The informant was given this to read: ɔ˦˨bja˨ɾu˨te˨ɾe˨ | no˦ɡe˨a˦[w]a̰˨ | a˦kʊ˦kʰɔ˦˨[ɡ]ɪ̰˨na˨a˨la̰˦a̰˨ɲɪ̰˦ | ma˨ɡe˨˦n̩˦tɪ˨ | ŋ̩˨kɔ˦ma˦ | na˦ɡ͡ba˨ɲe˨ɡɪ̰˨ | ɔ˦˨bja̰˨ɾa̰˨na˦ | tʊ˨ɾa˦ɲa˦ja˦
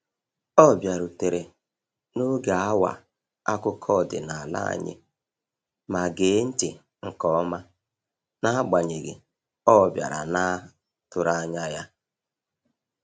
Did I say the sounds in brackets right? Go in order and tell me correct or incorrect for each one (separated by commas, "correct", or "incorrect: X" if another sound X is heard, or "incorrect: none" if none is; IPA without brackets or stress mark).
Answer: correct, incorrect: d